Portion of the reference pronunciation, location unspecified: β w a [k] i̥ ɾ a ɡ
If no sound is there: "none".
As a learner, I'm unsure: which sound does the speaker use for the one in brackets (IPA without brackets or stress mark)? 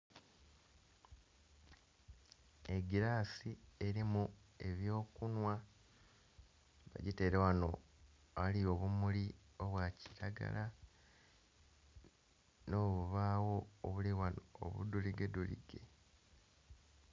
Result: c